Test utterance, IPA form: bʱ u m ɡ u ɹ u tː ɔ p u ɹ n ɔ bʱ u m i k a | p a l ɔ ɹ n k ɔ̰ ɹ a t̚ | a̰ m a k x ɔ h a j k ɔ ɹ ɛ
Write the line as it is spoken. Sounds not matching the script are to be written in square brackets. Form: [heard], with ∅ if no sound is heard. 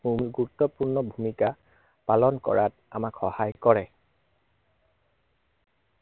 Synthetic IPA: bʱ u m ɡ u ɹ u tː ɔ p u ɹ n ɔ bʱ u m i k a | p a l ɔ [∅] n k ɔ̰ ɹ a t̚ | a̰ m a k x ɔ h a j k ɔ ɹ ɛ